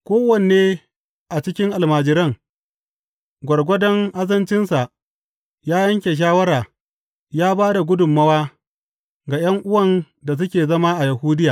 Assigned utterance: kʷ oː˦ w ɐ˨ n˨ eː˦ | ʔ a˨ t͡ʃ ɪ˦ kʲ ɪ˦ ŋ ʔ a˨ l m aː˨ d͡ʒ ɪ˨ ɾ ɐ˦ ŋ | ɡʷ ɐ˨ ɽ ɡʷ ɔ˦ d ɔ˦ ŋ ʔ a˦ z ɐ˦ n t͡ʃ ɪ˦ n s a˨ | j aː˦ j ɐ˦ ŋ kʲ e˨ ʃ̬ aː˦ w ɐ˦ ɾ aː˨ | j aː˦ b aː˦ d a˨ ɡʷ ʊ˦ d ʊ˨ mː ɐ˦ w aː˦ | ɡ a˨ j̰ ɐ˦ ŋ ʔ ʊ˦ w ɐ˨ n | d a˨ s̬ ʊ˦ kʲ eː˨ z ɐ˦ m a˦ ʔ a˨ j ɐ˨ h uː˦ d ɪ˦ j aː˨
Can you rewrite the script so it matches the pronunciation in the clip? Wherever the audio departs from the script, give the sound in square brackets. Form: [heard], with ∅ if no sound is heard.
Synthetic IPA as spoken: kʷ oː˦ w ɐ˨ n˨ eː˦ | ʔ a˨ t͡ʃ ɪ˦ kʲ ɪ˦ ŋ ʔ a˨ l m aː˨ d͡ʒ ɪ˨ ɾ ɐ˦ ŋ | ɡʷ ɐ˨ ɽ ɡʷ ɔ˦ d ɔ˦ ŋ ʔ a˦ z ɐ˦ n t͡ʃ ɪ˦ n s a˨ | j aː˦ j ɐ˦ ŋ kʲ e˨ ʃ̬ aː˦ w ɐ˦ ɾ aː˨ | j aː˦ b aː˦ d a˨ ɡʷ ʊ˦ d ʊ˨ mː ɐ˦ w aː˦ | ɡ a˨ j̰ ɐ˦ ŋ ʔ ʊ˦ w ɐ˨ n | d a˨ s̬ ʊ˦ kʲ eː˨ z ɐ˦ m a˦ ʔ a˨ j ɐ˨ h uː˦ d ɪ˦ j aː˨